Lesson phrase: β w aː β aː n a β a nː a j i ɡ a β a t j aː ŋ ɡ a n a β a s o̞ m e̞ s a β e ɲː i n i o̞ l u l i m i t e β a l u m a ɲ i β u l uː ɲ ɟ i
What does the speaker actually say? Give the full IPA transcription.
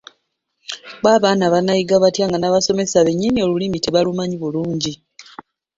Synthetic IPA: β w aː β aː n a β a n a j i ɡ a β a t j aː ŋ ɡ a n a β a s o̞ m e̞ s a β e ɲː i n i o̞ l u l i m i t e β a l u m a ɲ i β u l uː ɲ ɟ i